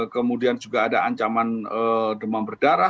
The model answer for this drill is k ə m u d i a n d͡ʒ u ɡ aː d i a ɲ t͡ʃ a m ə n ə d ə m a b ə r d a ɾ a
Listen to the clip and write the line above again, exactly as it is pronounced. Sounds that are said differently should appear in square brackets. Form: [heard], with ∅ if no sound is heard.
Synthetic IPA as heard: k ə m u d i a n d͡ʒ u ɡ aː d [a] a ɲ t͡ʃ a m [a] n ə d ə m a b ə r d a ɾ a